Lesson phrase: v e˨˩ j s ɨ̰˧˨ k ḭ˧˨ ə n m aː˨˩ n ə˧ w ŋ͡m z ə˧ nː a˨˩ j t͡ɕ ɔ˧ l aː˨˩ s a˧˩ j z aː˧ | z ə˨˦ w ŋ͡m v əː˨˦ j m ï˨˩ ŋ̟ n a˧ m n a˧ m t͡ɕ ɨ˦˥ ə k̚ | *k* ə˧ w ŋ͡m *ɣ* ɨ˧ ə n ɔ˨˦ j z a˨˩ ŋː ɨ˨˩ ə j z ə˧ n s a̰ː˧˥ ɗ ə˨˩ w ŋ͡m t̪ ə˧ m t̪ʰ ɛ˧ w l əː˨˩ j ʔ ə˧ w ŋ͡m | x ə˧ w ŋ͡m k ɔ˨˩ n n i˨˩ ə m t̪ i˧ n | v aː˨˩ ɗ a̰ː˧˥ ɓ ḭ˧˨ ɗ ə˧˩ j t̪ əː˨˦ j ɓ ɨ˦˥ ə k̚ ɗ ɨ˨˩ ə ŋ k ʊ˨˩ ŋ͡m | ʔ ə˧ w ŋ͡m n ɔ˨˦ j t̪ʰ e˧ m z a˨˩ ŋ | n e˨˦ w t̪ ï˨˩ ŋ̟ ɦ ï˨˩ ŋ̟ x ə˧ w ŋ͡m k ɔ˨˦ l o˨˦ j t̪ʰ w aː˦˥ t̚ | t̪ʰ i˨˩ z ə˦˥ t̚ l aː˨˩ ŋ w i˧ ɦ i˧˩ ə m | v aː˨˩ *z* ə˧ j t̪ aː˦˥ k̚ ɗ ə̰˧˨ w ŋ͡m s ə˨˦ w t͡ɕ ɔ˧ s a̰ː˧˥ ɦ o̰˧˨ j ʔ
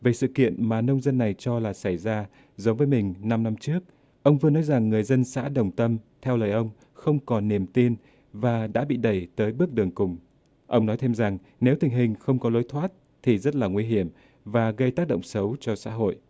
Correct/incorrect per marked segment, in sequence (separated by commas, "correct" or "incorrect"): incorrect, incorrect, incorrect